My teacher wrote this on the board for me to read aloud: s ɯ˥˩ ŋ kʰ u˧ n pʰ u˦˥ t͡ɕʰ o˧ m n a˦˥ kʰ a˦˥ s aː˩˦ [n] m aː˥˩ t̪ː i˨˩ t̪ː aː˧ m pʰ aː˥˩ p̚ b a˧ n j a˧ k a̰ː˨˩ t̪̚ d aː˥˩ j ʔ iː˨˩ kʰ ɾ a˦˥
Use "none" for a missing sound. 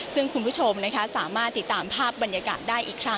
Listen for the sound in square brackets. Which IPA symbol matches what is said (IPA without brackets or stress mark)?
none